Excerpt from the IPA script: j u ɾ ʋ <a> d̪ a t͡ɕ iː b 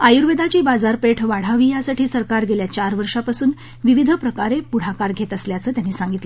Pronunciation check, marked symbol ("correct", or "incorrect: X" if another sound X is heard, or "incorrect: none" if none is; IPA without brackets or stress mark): incorrect: e